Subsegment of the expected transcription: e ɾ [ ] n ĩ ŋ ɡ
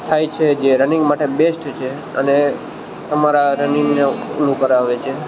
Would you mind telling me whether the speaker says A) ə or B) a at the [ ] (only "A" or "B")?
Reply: A